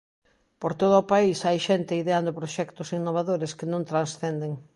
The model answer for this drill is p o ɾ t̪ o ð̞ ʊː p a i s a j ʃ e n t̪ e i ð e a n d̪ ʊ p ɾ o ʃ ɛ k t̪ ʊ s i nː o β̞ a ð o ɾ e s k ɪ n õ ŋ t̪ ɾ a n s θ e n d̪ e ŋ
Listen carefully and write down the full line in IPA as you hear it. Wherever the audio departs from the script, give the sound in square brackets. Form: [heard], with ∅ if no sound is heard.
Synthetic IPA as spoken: p o ɾ t̪ o ð̞ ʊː p a i s a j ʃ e n t̪ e i ð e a n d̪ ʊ p ɾ o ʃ ɛ k t̪ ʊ s i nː o β̞ a ð o ɾ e s k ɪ n õ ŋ t̪ ɾ a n s θ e n d̪ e ŋ